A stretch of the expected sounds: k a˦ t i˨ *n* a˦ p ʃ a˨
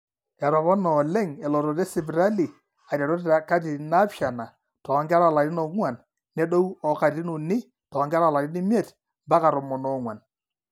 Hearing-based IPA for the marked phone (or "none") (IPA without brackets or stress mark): n